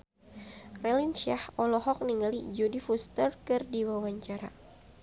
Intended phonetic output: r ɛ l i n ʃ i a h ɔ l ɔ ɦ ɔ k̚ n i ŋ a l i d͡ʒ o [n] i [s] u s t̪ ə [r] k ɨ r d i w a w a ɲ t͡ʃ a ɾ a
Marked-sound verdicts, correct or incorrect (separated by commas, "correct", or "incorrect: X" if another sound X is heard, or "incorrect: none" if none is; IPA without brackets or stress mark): incorrect: d, incorrect: f, correct